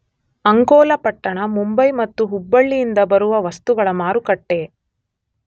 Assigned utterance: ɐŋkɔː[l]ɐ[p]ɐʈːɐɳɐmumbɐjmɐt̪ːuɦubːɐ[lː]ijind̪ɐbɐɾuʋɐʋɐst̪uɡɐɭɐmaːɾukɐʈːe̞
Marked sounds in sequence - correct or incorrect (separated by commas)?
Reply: correct, correct, incorrect